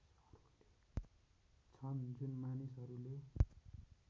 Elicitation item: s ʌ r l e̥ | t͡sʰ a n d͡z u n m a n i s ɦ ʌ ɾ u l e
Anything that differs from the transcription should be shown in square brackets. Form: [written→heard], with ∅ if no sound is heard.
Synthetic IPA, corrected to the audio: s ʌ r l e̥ | t͡sʰ [a→ʌ] n d͡z u n m a n i s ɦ ʌ ɾ u l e